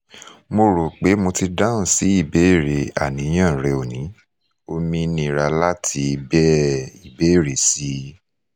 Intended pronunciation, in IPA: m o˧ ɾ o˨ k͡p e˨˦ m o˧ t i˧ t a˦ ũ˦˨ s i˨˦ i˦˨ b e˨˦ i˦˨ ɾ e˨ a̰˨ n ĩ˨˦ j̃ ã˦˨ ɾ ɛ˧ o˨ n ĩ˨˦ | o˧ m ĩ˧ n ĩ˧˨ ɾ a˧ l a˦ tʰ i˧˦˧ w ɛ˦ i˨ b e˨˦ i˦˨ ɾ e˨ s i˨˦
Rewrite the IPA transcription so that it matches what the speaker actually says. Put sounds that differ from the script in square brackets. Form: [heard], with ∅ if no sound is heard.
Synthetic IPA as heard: m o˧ ɾ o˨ k͡p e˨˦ m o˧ t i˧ [d] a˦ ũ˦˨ s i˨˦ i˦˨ b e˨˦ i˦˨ ɾ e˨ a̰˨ n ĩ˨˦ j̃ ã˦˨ ɾ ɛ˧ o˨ n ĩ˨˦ | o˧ m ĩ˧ n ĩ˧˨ ɾ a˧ l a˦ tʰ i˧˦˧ [b] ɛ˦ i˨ b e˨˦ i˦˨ ɾ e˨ s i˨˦